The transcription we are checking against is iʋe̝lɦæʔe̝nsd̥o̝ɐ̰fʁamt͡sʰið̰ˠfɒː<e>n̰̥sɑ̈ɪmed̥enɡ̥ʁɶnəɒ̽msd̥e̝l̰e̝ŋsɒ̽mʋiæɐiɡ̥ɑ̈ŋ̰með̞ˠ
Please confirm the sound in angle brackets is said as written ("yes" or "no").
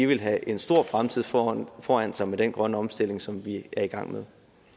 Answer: no